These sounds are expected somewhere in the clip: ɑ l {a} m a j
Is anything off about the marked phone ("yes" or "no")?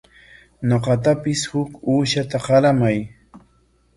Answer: no